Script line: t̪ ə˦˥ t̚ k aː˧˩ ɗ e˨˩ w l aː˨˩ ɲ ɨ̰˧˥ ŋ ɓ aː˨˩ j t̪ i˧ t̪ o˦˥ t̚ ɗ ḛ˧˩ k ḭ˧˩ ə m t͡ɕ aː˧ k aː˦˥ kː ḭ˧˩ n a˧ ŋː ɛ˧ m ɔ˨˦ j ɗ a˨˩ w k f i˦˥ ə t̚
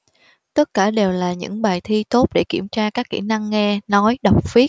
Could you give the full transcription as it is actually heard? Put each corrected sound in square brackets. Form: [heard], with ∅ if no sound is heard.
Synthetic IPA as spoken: t̪ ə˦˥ t̚ k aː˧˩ ɗ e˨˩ w l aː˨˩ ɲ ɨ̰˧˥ ŋ ɓ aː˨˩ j [t̪ʰ] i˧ t̪ o˦˥ t̚ ɗ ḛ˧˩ k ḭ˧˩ ə m t͡ɕ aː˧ k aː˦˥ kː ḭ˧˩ n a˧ ŋː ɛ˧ [n] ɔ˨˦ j ɗ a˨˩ w [k͡p̚] f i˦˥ ə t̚